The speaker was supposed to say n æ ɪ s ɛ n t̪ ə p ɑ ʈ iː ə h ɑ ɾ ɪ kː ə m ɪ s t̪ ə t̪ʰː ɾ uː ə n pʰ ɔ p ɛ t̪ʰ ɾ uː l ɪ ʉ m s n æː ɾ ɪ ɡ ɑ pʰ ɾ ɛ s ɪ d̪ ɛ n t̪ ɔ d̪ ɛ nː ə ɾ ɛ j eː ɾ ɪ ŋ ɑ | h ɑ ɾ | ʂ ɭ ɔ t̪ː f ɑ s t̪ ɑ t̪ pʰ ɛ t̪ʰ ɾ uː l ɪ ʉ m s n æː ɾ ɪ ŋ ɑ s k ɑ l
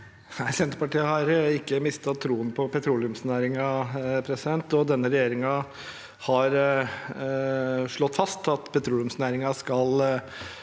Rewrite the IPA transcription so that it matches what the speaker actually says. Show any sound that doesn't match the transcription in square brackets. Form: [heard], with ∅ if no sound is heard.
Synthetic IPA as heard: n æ ɪ s ɛ n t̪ ə p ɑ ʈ iː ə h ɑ ɾ ɪ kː ə m ɪ s t̪ [ɑ] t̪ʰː ɾ uː ə n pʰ ɔ p ɛ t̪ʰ ɾ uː l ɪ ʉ m s n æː ɾ ɪ [ŋ] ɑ pʰ ɾ ɛ s ɪ d̪ ɛ n t̪ ɔ d̪ ɛ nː ə ɾ ɛ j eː ɾ ɪ ŋ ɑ | h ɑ ɾ | ʂ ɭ ɔ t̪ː f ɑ s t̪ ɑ t̪ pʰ ɛ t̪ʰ ɾ uː l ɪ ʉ m s n æː ɾ ɪ ŋ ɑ s k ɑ l